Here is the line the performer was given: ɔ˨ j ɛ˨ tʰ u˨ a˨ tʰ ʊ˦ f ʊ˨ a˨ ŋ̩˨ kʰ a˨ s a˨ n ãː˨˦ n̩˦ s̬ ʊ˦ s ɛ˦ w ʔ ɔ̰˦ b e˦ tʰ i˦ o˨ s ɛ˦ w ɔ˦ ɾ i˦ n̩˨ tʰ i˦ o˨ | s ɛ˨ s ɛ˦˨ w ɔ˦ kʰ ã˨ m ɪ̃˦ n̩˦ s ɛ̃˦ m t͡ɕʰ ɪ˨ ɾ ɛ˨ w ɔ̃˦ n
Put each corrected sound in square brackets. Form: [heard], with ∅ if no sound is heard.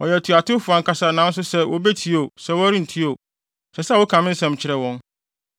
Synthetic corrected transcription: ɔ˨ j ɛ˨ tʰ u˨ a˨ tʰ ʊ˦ f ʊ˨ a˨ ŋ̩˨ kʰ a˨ s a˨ n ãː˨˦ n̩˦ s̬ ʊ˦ s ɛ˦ w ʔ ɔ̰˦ b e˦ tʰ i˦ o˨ s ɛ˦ w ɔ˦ ɾ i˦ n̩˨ tʰ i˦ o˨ | s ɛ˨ s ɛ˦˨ w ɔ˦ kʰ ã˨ m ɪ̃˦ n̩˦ s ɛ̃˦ m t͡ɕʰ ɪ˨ ɾ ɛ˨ w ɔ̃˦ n